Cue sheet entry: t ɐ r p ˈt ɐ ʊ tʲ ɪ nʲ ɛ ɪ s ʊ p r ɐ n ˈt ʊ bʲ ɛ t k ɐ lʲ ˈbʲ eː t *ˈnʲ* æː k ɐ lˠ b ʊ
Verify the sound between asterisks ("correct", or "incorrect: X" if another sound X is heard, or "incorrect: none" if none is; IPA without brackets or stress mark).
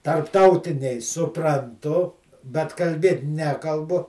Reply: correct